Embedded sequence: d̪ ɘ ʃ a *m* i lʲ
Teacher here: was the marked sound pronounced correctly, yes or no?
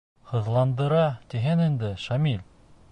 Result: yes